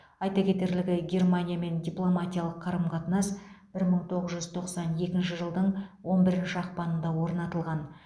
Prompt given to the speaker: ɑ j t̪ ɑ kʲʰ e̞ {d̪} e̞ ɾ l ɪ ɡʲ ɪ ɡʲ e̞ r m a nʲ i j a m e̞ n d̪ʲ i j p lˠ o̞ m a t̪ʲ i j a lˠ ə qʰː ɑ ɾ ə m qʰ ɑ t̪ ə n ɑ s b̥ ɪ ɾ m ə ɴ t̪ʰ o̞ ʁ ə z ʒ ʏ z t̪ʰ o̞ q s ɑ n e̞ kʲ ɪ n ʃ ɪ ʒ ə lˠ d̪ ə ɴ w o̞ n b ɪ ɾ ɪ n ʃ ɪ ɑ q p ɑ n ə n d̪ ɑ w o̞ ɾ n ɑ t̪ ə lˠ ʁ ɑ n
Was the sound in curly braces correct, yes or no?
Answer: no